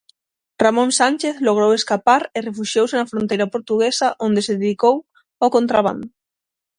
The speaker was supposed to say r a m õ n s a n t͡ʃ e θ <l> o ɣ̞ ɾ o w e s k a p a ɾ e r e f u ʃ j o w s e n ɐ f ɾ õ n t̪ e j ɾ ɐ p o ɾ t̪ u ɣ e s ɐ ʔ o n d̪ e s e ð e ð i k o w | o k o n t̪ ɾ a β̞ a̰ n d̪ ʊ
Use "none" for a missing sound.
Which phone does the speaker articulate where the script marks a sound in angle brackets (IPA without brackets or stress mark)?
l